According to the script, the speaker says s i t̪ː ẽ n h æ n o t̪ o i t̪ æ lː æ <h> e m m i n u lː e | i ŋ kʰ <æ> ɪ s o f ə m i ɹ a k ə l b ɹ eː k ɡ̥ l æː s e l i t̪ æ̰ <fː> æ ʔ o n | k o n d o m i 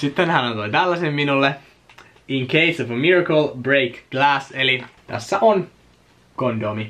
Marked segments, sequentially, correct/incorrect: incorrect, incorrect, incorrect

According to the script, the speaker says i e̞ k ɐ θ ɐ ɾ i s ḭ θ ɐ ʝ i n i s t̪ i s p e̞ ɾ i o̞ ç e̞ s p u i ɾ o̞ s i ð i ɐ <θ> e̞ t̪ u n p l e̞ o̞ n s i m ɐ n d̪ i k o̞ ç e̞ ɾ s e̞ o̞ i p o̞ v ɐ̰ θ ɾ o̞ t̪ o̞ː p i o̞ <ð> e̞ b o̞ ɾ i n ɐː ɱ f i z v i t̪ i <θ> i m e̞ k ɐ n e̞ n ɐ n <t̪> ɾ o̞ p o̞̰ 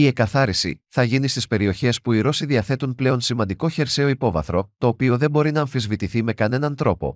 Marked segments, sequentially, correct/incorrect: correct, correct, correct, correct

